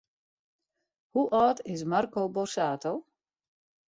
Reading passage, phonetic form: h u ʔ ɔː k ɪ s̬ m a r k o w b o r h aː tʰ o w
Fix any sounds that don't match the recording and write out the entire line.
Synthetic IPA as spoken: h u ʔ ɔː t ɪ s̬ m a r k o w b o r s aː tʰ o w